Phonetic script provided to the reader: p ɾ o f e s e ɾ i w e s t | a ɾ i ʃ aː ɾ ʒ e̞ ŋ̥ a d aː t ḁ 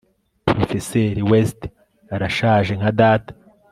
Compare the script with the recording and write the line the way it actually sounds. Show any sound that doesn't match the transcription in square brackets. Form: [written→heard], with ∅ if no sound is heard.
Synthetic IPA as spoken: p ɾ o f e s e ɾ i w e s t | a ɾ [i→a] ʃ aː [ɾ→∅] ʒ e̞ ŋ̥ a d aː t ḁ